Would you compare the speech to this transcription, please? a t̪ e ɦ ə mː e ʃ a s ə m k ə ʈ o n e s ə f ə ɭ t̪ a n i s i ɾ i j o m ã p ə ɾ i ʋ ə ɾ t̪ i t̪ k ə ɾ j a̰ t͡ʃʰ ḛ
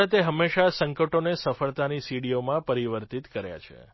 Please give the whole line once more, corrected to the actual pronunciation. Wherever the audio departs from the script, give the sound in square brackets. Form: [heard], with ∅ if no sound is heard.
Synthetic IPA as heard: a t̪ e ɦ ə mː e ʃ a s ə [ŋ] k ə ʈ o n e s ə f ə ɭ t̪ a n i s i [ɽ] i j o m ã p ə ɾ i ʋ ə ɾ t̪ i t̪ k ə ɾ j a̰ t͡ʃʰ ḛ